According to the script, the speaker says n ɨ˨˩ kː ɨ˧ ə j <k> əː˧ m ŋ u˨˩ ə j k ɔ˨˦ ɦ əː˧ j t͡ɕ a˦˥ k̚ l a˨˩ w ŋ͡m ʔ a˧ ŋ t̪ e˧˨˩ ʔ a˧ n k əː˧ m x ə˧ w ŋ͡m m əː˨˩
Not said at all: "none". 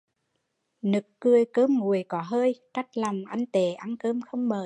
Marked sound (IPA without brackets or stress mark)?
k